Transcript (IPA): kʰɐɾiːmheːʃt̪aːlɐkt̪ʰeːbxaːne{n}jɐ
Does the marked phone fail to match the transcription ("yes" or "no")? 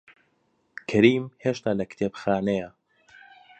yes